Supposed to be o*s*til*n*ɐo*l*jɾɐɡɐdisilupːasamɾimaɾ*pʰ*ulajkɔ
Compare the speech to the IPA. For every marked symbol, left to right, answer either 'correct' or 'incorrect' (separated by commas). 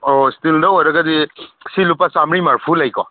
correct, incorrect, incorrect, correct